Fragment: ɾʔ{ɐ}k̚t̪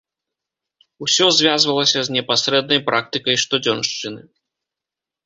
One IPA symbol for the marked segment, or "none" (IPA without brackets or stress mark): a